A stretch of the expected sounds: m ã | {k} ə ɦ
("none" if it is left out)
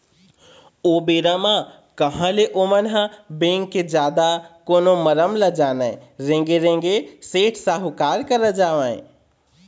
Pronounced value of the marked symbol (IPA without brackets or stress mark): k